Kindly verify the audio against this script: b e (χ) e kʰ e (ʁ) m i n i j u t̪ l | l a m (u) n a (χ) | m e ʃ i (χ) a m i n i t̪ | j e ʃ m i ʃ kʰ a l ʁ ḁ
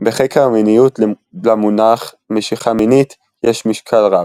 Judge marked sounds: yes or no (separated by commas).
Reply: yes, yes, yes, yes, yes